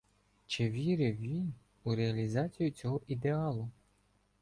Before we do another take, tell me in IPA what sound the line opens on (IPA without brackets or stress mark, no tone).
t͡ʃ